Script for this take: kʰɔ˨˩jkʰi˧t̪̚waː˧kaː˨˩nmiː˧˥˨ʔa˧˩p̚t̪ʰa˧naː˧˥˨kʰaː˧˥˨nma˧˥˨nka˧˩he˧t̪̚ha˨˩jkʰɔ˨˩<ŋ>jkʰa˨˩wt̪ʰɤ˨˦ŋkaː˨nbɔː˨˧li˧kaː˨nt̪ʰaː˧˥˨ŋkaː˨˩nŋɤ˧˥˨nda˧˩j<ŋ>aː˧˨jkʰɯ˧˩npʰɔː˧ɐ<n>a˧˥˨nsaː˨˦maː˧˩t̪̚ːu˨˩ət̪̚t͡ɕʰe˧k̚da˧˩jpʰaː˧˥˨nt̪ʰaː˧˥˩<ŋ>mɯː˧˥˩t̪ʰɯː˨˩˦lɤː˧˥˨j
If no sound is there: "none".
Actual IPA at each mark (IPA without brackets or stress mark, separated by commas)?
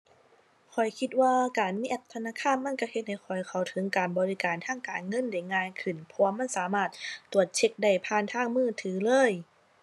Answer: none, ŋ, m, ŋ